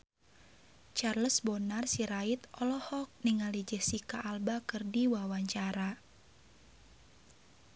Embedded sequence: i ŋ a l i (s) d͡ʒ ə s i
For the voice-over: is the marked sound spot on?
no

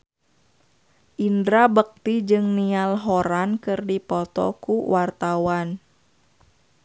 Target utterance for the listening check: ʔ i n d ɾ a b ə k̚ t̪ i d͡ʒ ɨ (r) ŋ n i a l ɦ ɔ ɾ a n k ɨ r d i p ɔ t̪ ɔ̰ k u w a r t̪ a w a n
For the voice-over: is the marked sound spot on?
no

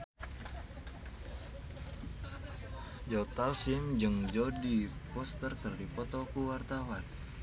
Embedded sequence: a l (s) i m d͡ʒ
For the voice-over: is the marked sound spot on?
yes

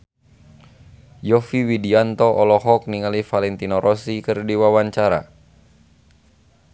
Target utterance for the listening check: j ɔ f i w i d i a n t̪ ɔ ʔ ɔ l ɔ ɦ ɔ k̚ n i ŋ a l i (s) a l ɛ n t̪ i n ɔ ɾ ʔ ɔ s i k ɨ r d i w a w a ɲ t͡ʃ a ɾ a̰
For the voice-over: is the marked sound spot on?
no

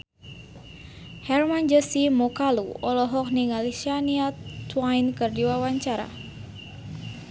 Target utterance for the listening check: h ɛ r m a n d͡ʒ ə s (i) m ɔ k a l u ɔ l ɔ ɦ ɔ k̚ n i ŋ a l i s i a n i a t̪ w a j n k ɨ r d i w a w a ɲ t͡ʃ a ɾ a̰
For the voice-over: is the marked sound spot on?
yes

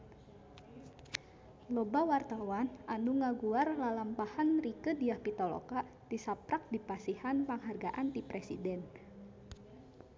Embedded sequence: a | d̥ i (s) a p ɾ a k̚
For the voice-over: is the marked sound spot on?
yes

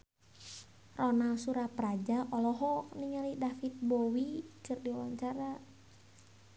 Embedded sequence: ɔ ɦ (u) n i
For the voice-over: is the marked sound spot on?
no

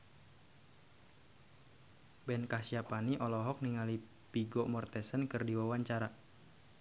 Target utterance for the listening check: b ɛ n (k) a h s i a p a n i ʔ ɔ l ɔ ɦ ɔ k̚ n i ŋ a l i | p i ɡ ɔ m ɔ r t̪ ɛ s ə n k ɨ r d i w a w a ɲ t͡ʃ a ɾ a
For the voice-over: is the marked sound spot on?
yes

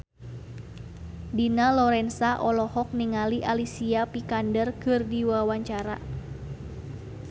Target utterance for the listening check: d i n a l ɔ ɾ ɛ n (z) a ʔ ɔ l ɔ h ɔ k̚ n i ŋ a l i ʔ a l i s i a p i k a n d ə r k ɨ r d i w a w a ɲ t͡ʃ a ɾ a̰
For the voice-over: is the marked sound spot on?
no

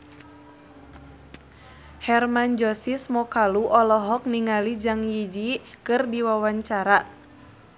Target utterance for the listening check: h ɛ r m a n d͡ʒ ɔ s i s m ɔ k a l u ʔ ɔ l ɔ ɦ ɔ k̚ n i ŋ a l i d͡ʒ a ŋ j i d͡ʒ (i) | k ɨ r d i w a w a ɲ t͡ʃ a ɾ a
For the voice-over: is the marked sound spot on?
yes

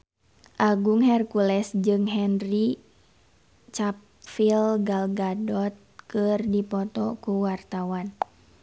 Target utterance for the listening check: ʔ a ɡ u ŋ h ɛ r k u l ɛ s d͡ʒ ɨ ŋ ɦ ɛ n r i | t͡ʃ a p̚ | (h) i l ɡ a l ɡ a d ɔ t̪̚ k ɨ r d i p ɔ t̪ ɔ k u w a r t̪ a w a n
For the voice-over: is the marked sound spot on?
no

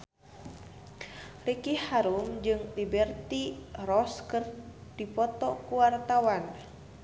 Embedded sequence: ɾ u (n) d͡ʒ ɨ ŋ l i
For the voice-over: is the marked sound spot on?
no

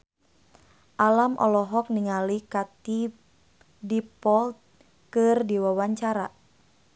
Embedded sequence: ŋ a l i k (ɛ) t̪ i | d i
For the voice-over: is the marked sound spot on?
no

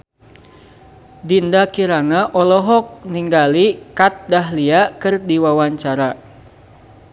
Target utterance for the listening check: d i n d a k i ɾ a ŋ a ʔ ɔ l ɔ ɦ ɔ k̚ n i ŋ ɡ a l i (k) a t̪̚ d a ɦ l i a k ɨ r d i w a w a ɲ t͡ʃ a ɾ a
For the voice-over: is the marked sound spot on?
yes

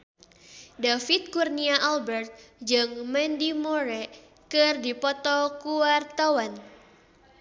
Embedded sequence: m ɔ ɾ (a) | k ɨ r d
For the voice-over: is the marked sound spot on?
no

